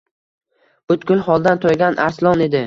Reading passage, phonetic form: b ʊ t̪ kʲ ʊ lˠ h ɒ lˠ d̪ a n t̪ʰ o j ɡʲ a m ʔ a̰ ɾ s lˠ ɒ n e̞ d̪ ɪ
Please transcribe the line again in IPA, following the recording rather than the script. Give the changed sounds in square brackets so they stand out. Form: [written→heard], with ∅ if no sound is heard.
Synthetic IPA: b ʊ t̪ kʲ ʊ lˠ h ɒ lˠ d̪ a n t̪ʰ o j ɡʲ a [m→n] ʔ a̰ ɾ s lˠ ɒ n e̞ d̪ ɪ